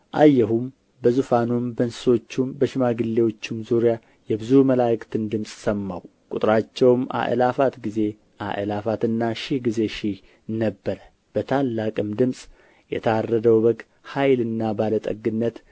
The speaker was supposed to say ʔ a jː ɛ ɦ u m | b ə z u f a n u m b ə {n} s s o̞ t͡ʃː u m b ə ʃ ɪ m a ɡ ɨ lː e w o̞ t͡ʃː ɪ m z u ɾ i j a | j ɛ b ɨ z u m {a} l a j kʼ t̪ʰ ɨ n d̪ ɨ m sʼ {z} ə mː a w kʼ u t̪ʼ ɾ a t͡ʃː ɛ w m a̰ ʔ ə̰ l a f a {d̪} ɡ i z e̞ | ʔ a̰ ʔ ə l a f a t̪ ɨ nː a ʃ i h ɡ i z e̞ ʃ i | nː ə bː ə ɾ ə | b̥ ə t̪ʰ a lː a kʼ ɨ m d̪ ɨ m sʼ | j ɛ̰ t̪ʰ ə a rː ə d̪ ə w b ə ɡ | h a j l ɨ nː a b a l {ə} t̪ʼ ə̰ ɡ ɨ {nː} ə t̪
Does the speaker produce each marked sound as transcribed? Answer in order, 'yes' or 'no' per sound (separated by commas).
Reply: yes, no, no, no, yes, yes